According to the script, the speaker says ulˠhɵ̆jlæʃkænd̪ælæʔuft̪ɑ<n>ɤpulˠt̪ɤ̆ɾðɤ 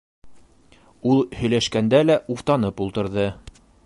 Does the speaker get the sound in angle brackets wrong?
no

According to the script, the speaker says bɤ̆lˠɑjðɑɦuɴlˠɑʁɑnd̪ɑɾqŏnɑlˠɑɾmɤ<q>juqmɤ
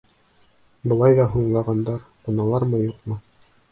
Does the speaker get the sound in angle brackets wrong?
yes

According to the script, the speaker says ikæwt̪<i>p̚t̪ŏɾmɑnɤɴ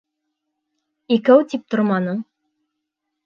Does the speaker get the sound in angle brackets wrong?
no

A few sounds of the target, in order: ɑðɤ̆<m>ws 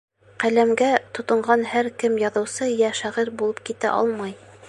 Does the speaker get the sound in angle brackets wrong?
yes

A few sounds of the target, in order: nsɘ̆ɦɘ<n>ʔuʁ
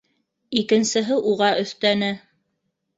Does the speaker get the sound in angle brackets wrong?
yes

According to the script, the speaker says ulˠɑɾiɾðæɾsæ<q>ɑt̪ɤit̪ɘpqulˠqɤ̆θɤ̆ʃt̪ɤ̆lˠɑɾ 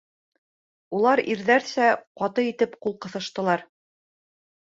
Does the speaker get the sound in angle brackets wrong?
no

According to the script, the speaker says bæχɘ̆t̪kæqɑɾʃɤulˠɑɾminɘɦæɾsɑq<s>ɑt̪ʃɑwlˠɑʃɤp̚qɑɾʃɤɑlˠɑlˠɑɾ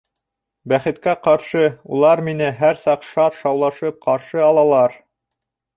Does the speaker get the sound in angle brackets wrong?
yes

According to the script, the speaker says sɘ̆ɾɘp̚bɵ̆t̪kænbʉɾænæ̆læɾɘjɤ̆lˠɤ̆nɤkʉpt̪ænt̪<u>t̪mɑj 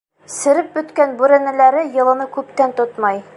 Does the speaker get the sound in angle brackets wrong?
yes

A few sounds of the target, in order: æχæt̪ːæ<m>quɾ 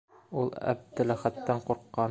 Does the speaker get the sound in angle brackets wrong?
yes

